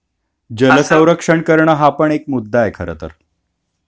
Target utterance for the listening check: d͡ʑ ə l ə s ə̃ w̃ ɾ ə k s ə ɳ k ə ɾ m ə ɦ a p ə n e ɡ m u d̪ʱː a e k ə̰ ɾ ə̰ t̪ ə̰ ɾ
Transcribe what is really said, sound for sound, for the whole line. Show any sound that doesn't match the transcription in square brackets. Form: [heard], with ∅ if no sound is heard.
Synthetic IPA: d͡ʑ ə l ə s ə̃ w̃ ɾ ə k [ʂ] ə ɳ k ə ɾ [ɳ] ə ɦ a p ə [ɳ] e [k] m u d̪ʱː a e [kʰ] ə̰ ɾ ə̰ t̪ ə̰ ɾ